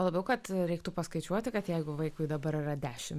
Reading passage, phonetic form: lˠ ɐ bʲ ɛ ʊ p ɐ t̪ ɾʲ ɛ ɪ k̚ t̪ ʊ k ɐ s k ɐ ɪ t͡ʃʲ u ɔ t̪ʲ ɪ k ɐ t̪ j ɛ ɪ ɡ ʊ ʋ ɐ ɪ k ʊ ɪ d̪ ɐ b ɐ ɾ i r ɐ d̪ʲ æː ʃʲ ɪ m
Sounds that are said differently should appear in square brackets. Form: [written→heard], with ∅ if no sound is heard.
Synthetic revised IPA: lˠ ɐ bʲ ɛ ʊ [p→k] ɐ t̪ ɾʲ ɛ ɪ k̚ t̪ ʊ [k→p] ɐ s k ɐ ɪ t͡ʃʲ u ɔ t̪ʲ ɪ k ɐ t̪ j ɛ ɪ ɡ ʊ ʋ ɐ ɪ k ʊ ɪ d̪ ɐ b ɐ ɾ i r ɐ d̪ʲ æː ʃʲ ɪ m